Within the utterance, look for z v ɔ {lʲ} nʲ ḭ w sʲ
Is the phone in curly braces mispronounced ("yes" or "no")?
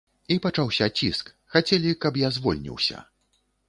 no